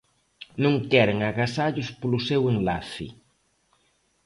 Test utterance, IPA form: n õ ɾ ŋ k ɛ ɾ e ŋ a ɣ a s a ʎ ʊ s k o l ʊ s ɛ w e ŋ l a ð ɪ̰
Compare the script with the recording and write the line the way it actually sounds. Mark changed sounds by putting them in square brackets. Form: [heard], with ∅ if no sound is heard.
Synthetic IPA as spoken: n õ [∅] ŋ k ɛ ɾ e ŋ a ɣ a s a ʎ ʊ s [p] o l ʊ s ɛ w e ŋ l a [θ] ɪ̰